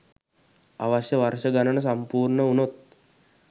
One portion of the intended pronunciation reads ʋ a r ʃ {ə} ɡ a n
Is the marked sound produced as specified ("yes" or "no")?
yes